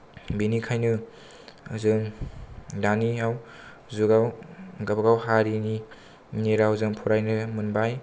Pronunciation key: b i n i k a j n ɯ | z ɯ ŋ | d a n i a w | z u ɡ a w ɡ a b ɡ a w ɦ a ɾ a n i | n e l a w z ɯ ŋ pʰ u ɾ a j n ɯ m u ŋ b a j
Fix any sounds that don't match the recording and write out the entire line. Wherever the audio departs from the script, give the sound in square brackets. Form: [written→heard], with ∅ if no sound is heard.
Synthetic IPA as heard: b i n i [k→kʰ] a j n ɯ | z ɯ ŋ | d a n i a w | z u ɡ a w ɡ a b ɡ a w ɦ a ɾ [a→i] n i | n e [l→ɾ] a w z ɯ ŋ pʰ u ɾ a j n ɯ m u [ŋ→n] b a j